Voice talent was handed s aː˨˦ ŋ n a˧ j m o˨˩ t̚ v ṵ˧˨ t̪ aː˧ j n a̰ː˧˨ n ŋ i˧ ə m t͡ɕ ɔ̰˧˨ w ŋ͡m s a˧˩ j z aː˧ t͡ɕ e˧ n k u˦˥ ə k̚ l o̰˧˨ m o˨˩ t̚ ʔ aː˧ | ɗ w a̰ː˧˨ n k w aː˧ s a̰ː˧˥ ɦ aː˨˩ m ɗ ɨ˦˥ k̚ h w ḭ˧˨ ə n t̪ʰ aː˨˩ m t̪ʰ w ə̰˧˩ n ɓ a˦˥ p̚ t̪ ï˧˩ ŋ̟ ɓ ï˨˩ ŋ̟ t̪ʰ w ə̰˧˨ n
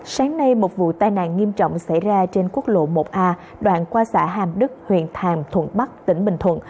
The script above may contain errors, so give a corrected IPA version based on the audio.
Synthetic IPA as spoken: s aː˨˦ ŋ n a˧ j m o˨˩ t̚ v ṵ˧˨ t̪ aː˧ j n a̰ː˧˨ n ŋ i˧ ə m t͡ɕ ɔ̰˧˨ w ŋ͡m s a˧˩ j z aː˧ t͡ɕ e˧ n k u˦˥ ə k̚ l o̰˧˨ m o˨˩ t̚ ʔ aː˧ | ɗ w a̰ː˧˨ n k w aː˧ s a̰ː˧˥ ɦ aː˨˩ m ɗ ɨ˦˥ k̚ h w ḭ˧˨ ə n t̪ʰ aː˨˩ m t̪ʰ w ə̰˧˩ n ɓ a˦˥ k̚ t̪ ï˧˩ ŋ̟ ɓ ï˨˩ ŋ̟ t̪ʰ w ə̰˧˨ n